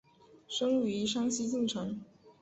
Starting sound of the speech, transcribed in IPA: ʂ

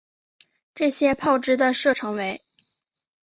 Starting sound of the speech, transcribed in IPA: ʈ͡ʂ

